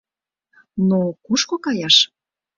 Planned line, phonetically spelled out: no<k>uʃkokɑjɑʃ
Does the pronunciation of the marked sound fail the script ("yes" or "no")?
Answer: no